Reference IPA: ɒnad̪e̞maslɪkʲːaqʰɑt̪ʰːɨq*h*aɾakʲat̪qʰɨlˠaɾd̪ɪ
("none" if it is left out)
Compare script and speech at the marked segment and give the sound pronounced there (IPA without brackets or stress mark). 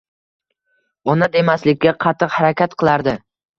h